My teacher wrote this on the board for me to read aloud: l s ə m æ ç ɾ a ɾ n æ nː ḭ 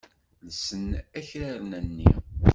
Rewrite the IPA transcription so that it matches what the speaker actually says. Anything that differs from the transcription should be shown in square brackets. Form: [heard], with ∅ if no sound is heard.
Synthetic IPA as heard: l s ə [n] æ ç ɾ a ɾ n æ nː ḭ